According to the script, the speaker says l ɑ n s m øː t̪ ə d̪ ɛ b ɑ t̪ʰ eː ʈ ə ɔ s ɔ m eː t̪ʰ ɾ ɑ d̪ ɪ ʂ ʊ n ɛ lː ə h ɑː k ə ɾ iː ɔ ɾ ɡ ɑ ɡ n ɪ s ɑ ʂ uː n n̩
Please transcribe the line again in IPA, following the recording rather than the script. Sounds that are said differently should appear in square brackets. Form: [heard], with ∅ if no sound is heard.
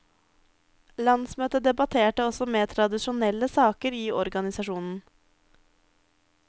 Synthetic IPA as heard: l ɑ n s m øː t̪ ə d̪ ɛ b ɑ t̪ʰ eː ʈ ə ɔ s ɔ m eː t̪ʰ ɾ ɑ d̪ ɪ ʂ ʊ n ɛ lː ə [s] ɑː k ə ɾ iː ɔ ɾ ɡ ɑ [∅] n ɪ s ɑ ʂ uː n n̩